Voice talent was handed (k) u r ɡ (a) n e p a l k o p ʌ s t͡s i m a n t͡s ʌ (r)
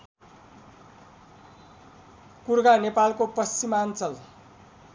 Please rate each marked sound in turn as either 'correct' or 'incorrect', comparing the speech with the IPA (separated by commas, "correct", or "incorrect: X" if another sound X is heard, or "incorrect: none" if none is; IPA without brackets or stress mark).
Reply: correct, correct, incorrect: l